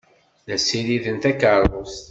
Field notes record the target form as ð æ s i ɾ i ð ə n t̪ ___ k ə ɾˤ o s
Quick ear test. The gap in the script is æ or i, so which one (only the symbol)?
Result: æ